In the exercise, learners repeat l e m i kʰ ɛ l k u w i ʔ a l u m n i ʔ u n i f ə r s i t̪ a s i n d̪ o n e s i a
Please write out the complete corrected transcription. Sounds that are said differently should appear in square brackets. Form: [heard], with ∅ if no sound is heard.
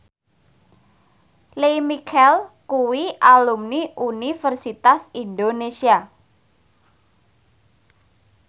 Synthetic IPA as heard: l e m i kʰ ɛ l k u w i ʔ a l u m n i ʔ u n i f ə r s i t̪ a s i n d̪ o n e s i a